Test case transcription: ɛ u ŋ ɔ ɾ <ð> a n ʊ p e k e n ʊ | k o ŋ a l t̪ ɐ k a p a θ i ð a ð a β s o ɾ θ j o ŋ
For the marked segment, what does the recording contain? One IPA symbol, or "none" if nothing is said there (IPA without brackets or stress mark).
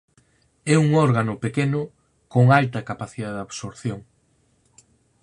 ɣ